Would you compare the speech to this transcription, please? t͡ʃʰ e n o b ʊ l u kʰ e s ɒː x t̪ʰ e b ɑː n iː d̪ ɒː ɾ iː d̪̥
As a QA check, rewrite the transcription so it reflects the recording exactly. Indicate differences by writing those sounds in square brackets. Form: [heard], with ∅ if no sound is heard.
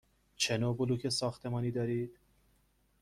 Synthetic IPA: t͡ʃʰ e n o b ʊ l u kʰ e s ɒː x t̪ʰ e [m] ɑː n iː d̪ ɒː ɾ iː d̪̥